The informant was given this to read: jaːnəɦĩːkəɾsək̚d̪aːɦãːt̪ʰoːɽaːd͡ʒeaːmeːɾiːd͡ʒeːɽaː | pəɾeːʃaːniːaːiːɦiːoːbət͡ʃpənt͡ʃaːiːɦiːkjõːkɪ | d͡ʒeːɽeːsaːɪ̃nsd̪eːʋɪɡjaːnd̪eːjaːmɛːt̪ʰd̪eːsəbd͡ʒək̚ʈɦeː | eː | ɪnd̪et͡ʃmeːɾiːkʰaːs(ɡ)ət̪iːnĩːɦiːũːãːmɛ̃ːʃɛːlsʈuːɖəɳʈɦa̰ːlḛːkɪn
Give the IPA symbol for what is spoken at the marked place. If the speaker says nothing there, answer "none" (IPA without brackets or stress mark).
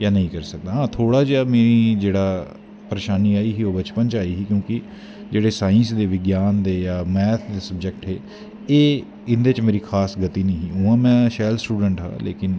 ɡ